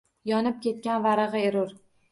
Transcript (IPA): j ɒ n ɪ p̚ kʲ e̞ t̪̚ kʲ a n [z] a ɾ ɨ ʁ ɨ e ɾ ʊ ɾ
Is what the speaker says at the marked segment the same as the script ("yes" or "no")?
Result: no